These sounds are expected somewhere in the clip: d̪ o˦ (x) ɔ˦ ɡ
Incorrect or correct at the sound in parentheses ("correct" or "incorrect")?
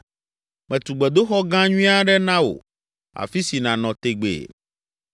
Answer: correct